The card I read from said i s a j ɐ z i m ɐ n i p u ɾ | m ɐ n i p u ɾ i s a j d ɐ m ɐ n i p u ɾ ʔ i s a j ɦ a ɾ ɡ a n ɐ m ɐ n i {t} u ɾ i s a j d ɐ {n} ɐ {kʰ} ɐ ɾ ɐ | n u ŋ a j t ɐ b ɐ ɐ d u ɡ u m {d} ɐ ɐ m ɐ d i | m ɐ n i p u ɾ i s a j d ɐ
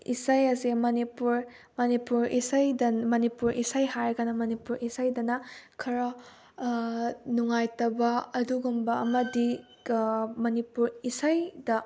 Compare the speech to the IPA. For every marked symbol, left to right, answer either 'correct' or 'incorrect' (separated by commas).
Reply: incorrect, correct, correct, incorrect